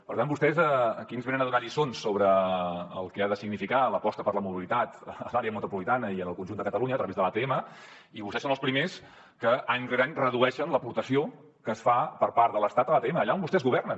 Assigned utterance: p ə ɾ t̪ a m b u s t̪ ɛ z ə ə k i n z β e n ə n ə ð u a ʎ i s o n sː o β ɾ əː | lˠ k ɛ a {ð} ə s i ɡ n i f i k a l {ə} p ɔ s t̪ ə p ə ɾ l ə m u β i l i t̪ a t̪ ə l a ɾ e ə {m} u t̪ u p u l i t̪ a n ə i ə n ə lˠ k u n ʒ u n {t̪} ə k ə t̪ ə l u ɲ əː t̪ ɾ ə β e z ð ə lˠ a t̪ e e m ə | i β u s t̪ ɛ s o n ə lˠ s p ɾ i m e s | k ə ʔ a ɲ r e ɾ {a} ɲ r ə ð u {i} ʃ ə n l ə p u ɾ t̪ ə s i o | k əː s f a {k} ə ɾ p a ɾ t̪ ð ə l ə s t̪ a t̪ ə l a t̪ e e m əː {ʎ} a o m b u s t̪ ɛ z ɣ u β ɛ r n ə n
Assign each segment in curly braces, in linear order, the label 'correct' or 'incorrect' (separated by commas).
correct, correct, correct, incorrect, correct, incorrect, incorrect, correct